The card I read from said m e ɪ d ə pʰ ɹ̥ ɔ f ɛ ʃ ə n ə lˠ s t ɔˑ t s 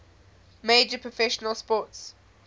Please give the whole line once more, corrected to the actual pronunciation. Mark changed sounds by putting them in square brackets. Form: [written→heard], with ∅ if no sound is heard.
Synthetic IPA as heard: m e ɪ [d→d͡ʒ] ə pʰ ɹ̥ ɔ f ɛ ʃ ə n ə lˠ s [t→p] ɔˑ t s